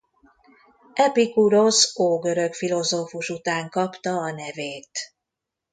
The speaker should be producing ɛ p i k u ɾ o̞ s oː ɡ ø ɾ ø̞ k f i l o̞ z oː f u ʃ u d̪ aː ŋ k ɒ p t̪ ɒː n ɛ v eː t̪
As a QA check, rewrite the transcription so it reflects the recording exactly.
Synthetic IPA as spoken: ɛ p i k u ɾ o̞ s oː ɡ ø ɾ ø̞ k f i l o̞ z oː f u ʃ u t̪ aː ŋ k ɒ p t̪ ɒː n ɛ v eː t̪